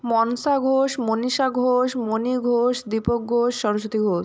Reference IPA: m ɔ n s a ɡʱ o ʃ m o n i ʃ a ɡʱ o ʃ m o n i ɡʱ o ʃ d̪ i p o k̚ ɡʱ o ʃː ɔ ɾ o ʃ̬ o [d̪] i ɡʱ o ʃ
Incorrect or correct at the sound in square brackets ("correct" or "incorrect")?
incorrect